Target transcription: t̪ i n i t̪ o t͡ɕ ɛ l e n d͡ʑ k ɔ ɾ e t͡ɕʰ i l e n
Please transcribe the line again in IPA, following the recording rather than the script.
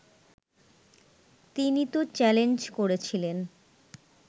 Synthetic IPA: t̪ i n i t̪ o t͡ɕ ɛ l e n d͡ʑ k o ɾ e t͡ɕʰ i l e n